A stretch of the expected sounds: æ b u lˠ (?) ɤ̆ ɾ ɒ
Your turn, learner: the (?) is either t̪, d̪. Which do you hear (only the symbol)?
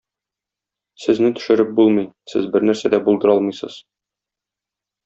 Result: d̪